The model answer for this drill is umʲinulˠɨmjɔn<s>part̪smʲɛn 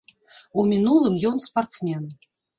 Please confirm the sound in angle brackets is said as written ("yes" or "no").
yes